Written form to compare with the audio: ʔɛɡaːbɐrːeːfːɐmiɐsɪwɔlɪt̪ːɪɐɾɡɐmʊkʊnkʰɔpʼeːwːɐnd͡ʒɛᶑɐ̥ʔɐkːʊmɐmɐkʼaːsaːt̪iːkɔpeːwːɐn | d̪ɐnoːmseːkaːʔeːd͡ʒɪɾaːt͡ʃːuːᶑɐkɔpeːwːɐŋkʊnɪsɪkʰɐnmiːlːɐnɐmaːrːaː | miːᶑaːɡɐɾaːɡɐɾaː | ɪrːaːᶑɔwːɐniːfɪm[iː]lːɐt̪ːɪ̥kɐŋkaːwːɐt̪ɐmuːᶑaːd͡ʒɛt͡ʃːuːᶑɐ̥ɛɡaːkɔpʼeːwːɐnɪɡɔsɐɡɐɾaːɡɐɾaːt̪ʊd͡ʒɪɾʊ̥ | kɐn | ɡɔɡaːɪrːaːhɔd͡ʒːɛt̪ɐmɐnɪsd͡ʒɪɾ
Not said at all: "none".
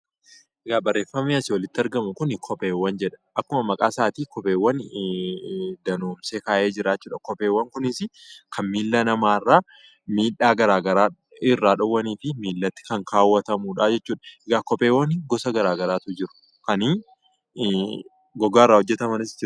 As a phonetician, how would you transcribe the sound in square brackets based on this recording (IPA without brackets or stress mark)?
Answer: iː